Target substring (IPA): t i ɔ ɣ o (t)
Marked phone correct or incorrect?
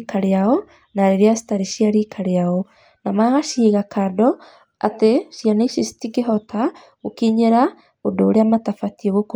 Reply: incorrect